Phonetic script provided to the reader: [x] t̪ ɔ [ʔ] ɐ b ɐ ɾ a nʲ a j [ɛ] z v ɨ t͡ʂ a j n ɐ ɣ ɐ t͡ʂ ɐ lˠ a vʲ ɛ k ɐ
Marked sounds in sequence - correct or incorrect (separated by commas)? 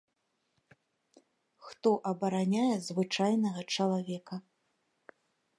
correct, correct, correct